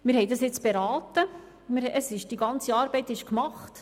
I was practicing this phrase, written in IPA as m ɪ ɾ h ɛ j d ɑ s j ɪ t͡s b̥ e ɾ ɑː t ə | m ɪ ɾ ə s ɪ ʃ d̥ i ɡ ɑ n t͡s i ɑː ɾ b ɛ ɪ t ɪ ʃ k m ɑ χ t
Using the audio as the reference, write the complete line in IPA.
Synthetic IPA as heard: m ɪ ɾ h ɛ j d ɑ s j ɪ t͡s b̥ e ɾ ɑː t ə | m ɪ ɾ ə s ɪ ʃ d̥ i ɡ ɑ n t͡s i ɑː ɾ b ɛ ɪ t ɪ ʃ k m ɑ χ t